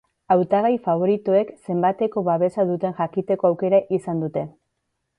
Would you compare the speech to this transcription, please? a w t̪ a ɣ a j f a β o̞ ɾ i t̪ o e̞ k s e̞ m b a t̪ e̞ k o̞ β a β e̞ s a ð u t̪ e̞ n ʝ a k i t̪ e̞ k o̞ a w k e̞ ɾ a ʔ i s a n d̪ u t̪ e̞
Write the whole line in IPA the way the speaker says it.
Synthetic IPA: a w t̪ a ɣ a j f a β o̞ ɾ i t̪ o e̞ k s e̞ m b a t̪ e̞ k o̞ β a β e̞ s a ð u t̪ e̞ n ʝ a k i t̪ e̞ k o̞ a w k e̞ ɾ a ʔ i s a n d̪ u t̪ e̞